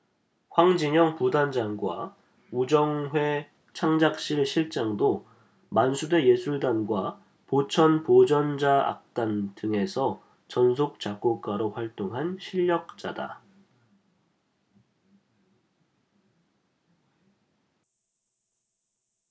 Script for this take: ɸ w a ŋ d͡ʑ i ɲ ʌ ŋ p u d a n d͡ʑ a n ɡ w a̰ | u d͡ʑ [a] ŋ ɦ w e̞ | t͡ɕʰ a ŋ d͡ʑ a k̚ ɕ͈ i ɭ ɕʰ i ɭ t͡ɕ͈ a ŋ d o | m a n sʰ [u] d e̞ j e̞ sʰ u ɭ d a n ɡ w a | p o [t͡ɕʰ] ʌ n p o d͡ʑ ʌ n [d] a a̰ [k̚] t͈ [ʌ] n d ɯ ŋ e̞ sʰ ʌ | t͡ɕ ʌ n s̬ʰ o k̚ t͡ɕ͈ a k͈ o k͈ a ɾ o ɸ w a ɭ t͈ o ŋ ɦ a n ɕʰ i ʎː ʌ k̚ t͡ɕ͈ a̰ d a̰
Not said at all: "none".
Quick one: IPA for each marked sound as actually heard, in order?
ʌ, u, t͡ɕʰ, d͡ʑ, k̚, a

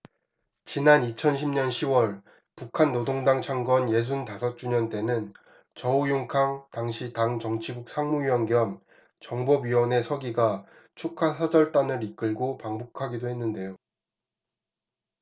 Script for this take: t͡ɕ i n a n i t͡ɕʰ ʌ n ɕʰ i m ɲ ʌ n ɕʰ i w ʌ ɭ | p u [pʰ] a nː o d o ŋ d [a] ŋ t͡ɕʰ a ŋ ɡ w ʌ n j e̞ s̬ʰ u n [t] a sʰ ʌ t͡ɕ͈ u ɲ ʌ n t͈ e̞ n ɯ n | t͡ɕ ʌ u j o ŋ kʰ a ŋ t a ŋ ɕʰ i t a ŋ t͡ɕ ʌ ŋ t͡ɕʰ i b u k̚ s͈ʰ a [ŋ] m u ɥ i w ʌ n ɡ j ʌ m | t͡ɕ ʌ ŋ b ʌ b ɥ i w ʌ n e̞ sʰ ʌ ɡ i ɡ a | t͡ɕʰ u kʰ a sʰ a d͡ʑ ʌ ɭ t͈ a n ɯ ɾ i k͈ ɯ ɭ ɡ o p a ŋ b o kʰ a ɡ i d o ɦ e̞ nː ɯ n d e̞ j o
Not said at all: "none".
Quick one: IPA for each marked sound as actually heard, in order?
kʰ, a, t, ŋ

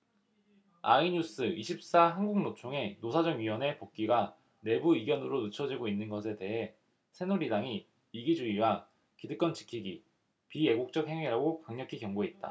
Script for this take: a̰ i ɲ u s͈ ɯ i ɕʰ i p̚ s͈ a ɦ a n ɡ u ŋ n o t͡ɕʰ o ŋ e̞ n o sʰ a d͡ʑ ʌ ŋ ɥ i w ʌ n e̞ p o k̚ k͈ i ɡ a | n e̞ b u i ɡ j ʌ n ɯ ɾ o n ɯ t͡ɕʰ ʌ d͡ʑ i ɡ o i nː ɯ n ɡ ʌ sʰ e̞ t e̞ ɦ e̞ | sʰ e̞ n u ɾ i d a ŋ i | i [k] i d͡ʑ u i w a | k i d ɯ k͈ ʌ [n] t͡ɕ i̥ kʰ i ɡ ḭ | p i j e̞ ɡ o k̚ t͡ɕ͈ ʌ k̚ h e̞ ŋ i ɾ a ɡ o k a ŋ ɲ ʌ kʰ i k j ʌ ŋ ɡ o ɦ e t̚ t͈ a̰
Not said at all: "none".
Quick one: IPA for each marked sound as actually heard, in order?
ɡ, n

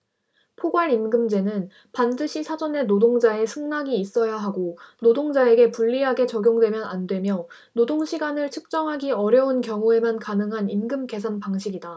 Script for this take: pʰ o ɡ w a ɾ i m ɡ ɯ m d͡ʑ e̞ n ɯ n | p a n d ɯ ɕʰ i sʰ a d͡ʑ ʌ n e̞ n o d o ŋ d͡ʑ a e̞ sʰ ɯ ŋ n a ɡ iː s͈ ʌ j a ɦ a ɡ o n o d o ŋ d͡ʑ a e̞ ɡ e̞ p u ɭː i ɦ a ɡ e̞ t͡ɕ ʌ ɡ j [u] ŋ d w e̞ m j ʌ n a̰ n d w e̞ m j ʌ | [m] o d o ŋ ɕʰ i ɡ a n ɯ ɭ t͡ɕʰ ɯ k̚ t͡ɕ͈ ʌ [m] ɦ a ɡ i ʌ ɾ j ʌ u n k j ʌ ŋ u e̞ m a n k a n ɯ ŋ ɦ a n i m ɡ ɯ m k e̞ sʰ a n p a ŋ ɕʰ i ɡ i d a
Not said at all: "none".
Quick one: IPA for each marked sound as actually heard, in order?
o, n, ŋ

